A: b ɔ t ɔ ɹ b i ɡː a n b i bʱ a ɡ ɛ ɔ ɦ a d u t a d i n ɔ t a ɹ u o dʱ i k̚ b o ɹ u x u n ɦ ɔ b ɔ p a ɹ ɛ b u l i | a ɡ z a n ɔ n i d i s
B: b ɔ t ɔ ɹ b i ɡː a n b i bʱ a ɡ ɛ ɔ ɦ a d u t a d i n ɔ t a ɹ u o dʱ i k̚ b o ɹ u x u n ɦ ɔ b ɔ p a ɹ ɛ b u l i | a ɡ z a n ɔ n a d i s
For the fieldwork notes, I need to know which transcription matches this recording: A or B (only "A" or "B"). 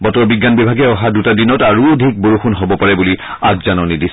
A